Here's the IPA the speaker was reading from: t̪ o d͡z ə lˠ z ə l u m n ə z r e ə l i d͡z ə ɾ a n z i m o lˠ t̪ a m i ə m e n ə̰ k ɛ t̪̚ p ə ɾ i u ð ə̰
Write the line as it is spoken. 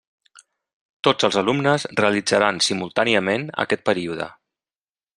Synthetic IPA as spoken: t̪ o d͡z ə lˠ z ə l u m n ə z r e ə l i d͡z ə ɾ a n s i m u lˠ t̪ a n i ə m e n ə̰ k ɛ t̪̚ p ə ɾ i u ð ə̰